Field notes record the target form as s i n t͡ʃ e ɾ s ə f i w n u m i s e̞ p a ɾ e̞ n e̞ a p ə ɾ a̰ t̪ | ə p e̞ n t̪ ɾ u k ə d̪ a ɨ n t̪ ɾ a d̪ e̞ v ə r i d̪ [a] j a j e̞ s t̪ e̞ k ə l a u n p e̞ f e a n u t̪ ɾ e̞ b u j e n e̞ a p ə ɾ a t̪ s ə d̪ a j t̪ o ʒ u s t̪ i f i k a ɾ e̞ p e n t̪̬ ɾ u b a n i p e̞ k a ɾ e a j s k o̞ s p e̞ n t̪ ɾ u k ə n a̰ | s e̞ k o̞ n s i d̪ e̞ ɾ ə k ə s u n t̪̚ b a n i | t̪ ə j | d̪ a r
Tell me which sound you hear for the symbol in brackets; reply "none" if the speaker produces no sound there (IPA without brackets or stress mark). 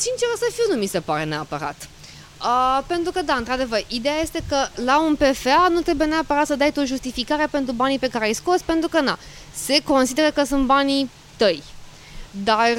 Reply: e